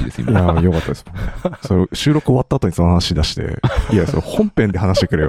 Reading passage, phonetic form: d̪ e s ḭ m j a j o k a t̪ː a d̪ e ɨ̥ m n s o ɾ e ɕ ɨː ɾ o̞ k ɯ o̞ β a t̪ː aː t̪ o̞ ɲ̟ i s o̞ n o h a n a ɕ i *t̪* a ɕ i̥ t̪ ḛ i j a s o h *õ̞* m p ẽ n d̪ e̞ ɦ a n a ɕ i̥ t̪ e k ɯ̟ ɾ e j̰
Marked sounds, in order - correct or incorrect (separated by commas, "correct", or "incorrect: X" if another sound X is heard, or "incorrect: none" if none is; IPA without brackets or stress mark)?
incorrect: d̪, correct